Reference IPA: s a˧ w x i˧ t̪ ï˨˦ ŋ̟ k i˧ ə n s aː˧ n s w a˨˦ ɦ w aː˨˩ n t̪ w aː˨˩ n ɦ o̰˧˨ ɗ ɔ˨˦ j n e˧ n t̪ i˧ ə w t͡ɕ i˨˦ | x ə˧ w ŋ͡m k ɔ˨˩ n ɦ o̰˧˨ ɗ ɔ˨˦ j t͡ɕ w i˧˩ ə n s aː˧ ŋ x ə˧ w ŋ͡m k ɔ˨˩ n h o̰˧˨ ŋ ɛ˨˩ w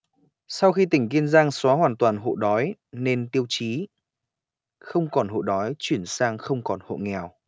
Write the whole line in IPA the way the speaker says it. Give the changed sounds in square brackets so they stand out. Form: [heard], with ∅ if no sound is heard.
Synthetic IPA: s a˧ w x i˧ t̪ [ï˧˩] ŋ̟ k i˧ ə n [z] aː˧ [ŋ] s w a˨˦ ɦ w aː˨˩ n t̪ w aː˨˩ n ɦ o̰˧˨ ɗ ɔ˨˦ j n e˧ n t̪ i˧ ə w t͡ɕ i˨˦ | x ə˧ w ŋ͡m k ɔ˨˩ n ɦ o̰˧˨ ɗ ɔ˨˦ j t͡ɕ w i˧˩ ə n s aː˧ ŋ x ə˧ w ŋ͡m k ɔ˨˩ n h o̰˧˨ ŋ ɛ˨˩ w